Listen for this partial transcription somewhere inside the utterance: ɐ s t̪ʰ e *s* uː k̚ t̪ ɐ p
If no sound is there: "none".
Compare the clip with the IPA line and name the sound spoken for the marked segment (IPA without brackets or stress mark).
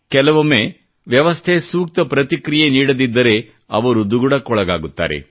s